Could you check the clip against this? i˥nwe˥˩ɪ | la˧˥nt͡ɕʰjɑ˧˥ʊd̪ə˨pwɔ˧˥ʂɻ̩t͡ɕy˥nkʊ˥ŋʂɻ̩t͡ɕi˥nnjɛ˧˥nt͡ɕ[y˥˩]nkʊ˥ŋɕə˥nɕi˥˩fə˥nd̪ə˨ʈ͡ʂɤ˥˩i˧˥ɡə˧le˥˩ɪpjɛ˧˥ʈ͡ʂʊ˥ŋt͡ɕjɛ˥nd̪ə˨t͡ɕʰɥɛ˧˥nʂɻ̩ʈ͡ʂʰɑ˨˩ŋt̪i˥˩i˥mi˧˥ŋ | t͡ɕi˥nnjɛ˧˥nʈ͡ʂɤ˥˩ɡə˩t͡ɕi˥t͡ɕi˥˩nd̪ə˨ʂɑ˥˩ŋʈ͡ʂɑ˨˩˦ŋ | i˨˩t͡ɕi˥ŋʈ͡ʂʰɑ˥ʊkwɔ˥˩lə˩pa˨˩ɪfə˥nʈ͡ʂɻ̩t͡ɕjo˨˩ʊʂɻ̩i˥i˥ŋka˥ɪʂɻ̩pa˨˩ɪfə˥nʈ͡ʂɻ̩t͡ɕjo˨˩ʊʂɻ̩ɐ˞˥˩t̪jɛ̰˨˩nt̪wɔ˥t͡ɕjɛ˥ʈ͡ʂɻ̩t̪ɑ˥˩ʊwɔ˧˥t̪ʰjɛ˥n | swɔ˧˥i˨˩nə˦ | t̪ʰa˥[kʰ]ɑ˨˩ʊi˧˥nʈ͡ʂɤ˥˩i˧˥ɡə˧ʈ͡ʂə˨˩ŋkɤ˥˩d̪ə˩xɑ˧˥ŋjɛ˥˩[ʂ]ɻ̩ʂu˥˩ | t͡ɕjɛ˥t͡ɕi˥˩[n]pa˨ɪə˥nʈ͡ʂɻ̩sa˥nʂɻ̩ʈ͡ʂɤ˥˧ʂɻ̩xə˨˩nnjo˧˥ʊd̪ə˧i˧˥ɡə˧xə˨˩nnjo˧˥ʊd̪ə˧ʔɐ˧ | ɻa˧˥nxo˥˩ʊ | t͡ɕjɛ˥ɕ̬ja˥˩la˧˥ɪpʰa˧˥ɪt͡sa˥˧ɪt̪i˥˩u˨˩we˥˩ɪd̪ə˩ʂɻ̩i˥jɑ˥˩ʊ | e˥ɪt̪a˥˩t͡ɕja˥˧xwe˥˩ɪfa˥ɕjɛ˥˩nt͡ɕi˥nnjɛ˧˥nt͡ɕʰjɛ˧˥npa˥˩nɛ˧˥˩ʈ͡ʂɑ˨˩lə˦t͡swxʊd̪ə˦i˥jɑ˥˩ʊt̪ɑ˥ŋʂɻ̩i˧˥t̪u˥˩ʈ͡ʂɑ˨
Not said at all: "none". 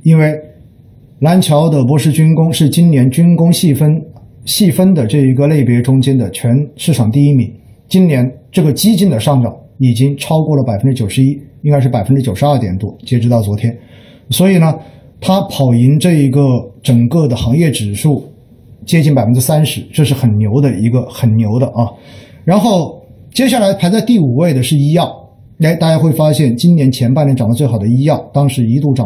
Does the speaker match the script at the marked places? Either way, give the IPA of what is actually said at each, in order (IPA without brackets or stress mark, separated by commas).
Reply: y˥, pʰ, ʈ͡ʂ, n